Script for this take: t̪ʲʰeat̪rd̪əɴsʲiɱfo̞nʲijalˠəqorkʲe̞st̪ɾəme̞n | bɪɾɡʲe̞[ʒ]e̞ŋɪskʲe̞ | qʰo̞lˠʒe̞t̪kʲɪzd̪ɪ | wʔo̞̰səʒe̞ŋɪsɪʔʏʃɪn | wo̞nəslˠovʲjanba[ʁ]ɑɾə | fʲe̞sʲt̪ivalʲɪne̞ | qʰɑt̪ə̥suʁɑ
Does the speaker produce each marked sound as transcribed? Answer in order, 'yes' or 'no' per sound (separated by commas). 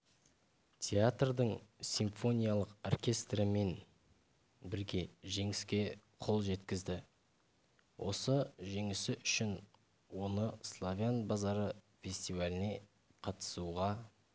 yes, no